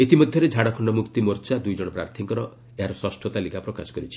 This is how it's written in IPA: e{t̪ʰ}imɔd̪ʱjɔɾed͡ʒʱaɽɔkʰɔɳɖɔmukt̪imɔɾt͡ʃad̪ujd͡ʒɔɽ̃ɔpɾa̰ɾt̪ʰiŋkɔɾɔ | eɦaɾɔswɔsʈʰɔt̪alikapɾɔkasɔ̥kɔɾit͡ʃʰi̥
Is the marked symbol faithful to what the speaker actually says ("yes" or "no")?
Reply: no